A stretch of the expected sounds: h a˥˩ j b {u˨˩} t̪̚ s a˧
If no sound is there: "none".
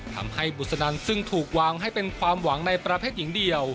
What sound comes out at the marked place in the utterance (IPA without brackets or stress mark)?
u˨˩